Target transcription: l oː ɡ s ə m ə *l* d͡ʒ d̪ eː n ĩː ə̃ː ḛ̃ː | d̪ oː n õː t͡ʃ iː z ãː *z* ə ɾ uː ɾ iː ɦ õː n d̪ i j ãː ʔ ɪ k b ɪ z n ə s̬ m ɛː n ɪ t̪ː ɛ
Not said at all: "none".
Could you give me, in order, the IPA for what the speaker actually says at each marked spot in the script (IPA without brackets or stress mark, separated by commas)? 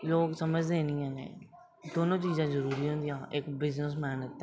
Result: none, z